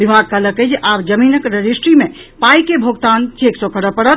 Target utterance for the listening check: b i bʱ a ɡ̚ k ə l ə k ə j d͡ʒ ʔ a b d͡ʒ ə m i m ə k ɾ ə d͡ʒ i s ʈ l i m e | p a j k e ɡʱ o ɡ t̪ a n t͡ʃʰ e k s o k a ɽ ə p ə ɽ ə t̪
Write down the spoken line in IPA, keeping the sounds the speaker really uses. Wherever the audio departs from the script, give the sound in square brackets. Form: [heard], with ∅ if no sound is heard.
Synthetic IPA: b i bʱ a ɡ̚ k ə l ə k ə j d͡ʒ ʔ a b d͡ʒ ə m i [n] ə k ɾ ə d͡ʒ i s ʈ [ɾ] i m e | p a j k e [bʱ] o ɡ t̪ a n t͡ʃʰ e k s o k [ə] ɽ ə p ə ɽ ə t̪